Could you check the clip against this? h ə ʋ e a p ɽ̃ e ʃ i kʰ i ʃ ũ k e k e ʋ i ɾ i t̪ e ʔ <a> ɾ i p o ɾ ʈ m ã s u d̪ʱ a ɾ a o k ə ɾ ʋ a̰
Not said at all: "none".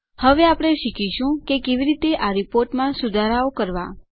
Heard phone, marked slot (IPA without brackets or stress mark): a